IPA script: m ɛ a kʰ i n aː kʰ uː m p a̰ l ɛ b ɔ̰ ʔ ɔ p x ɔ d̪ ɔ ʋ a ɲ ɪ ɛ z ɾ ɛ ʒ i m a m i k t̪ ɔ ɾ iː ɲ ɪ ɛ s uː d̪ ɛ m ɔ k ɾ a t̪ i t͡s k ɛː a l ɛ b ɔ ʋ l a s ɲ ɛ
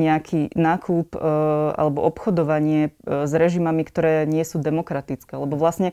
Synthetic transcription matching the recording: ɲ ɛ a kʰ i n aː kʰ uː p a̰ l ɛ b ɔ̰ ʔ ɔ p x ɔ d̪ ɔ ʋ a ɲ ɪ ɛ z ɾ ɛ ʒ i m a m i k t̪ ɔ ɾ ɛː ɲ ɪ ɛ s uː d̪ ɛ m ɔ k ɾ a t̪ i t͡s k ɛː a l ɛ b ɔ ʋ l a s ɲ ɛ